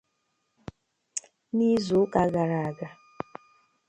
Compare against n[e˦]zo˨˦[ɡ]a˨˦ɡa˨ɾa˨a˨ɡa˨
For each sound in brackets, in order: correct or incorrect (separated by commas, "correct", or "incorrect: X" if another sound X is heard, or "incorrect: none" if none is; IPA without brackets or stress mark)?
incorrect: i˦, incorrect: k